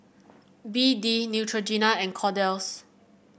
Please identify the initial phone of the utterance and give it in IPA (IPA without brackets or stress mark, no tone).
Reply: b